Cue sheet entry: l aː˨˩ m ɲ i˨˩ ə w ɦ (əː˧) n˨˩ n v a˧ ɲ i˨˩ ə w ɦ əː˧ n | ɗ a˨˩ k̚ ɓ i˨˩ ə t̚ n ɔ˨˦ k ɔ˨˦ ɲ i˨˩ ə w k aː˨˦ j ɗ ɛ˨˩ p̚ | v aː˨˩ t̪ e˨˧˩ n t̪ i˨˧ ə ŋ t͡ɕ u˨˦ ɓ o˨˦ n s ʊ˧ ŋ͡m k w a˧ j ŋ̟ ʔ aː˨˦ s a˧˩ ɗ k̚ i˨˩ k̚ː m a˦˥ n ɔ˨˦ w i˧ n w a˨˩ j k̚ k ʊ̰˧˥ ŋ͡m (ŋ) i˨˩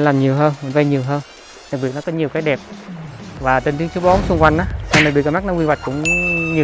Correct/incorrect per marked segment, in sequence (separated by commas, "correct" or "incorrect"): correct, incorrect